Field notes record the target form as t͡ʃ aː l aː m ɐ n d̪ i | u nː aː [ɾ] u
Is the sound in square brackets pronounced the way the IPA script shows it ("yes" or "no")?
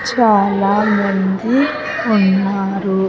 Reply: yes